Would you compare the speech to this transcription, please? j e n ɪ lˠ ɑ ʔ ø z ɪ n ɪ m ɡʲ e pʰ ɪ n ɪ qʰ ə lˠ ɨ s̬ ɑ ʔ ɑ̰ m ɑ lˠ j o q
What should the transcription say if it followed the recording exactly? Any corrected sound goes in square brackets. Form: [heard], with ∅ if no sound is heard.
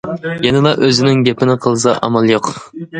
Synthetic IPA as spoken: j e n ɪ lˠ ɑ ʔ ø z ɪ n ɪ [ŋ] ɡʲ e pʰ ɪ n ɪ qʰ ə lˠ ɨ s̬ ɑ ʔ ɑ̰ m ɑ lˠ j o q